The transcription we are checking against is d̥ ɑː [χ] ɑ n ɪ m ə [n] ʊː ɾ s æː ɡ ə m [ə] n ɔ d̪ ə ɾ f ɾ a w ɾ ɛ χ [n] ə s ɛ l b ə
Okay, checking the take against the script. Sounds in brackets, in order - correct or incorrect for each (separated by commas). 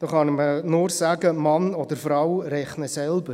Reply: correct, correct, incorrect, correct